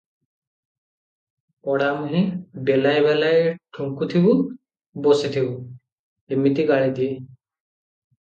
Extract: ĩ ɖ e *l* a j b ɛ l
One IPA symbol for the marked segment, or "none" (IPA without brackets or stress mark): l